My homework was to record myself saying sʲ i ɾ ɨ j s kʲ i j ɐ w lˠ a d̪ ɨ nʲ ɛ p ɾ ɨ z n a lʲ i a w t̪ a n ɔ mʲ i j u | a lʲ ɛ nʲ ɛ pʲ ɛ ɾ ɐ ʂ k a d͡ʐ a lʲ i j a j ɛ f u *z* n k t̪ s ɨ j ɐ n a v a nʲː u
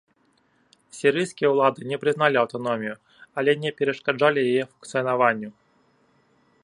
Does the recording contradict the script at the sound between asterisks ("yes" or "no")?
yes